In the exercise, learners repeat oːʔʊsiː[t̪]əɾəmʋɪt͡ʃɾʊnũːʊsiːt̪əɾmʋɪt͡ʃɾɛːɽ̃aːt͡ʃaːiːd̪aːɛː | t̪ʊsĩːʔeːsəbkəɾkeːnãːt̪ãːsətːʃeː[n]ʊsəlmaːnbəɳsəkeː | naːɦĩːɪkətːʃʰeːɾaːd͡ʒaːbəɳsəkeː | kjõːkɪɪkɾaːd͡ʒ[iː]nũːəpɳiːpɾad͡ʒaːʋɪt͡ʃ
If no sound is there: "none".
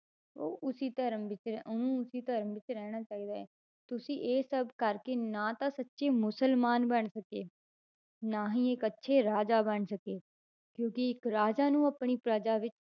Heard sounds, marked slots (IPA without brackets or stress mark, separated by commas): t̪, m, aː